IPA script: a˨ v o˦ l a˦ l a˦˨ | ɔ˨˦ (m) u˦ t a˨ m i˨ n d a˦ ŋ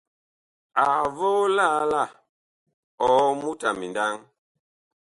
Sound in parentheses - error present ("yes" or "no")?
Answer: no